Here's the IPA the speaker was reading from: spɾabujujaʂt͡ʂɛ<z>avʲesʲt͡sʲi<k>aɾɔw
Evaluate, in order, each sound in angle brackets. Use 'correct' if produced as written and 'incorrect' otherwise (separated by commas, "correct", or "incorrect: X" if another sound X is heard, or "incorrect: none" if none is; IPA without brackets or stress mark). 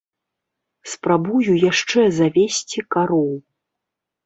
correct, correct